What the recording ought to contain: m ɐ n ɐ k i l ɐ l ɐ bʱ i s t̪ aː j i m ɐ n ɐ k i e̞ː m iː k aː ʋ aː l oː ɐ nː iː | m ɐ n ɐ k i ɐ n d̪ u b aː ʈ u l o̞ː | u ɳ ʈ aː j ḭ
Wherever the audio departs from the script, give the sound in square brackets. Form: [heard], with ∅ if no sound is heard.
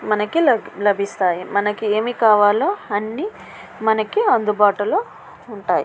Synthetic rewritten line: m ɐ n ɐ k i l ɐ l ɐ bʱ i s t̪ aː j i m ɐ n ɐ k i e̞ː m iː k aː ʋ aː l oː ɐ nː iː | m ɐ n ɐ k i ɐ n d̪ u b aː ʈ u l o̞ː | u ɳ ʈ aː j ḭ

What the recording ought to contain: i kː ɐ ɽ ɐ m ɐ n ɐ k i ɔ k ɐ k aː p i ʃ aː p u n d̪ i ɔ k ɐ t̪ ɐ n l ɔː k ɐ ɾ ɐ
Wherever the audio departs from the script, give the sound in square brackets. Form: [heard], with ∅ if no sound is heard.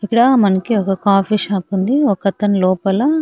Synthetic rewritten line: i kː ɐ ɽ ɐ m ɐ n ɐ k i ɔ k ɐ k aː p i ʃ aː p u n d̪ i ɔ k ɐ t̪ ɐ n l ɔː [p] ɐ [l] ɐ

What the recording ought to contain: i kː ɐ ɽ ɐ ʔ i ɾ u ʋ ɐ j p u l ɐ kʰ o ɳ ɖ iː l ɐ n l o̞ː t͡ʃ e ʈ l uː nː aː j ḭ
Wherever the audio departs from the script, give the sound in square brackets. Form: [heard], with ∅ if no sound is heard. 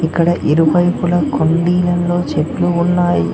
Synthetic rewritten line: i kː ɐ ɽ ɐ ʔ i ɾ u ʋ ɐ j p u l ɐ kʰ o ɳ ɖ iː l ɐ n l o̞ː t͡ʃ e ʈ l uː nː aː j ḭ

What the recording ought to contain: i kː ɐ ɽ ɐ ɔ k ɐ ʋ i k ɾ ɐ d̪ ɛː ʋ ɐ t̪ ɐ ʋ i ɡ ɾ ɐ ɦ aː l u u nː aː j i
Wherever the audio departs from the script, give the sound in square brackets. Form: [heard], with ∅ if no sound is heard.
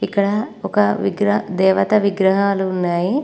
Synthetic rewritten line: i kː ɐ ɽ ɐ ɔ k ɐ ʋ i [ɡ] ɾ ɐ d̪ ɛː ʋ ɐ t̪ ɐ ʋ i ɡ ɾ ɐ ɦ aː l u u nː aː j i

